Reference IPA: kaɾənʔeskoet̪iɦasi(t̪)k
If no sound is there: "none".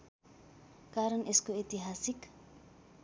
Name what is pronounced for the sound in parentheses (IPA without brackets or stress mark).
none